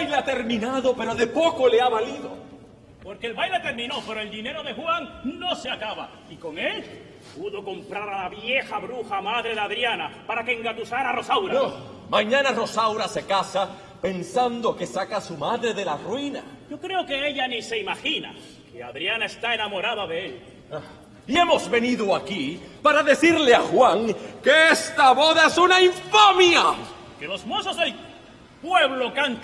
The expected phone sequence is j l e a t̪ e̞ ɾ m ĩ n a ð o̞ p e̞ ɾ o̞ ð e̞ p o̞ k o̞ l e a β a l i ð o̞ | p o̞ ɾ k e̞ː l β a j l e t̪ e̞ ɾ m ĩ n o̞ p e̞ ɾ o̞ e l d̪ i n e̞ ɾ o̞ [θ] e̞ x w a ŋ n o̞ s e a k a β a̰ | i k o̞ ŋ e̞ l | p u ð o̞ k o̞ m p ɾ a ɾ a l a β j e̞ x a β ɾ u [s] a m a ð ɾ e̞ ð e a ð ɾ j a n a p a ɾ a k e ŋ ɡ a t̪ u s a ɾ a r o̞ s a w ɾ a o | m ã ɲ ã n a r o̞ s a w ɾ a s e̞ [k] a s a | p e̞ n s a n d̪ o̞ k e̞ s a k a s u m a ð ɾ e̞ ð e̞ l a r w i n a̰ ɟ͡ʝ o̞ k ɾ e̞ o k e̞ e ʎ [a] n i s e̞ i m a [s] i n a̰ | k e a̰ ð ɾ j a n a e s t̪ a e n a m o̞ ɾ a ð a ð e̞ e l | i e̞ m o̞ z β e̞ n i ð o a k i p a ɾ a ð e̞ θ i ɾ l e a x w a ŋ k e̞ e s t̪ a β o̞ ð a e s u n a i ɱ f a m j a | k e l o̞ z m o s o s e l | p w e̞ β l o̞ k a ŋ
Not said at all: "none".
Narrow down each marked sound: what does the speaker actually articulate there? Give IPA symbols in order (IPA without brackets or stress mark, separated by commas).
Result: ð, x, k, a, x